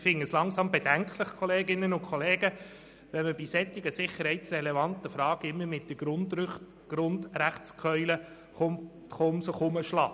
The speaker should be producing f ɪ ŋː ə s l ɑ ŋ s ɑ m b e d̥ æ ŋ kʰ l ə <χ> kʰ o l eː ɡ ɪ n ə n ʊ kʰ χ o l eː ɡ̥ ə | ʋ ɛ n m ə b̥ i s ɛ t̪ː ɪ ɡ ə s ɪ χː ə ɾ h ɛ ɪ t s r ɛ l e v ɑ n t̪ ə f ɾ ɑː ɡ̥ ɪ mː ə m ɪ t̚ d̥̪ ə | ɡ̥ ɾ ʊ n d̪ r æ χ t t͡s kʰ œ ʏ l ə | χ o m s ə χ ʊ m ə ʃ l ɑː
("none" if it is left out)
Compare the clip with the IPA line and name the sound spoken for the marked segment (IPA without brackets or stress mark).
χ